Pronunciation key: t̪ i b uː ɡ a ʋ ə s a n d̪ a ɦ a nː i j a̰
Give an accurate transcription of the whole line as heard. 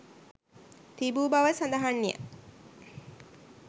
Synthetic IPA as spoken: t̪ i b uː b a ʋ ə s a n d̪ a ɦ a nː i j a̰